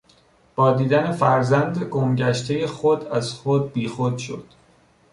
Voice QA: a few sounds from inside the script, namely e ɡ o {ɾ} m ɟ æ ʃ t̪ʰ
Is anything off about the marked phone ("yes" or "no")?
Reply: yes